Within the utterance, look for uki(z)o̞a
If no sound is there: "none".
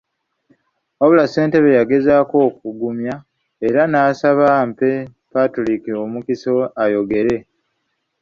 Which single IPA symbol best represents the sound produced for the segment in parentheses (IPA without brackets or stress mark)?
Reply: s